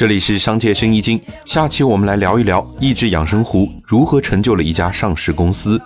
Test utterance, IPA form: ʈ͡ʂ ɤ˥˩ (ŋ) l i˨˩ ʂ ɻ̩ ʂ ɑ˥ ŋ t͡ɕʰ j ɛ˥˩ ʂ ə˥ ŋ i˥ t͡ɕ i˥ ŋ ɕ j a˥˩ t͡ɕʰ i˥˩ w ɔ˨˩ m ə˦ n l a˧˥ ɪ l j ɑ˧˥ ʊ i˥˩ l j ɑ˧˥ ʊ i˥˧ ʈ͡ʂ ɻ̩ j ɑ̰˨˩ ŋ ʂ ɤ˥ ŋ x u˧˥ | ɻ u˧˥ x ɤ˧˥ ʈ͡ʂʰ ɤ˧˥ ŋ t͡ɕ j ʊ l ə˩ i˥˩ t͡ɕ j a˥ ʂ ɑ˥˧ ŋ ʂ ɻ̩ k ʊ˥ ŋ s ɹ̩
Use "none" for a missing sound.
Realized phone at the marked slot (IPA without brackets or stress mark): none